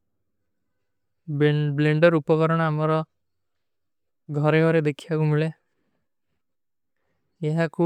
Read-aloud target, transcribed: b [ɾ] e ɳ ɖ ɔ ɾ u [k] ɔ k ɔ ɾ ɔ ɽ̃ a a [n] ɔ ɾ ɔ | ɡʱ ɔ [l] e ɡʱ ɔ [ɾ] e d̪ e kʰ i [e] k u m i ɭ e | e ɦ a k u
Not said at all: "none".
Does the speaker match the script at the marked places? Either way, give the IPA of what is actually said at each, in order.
l, p, m, ɾ, ɾ, a

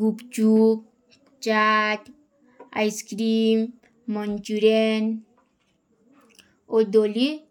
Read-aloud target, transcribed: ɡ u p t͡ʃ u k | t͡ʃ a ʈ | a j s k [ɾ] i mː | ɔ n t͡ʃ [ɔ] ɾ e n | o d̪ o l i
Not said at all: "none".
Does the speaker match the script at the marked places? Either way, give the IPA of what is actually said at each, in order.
ɾ, u

